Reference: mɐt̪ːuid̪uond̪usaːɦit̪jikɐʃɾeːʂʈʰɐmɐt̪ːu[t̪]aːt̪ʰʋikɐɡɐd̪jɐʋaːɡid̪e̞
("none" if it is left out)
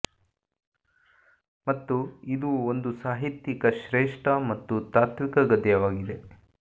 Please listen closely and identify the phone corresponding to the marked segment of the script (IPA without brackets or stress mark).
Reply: t̪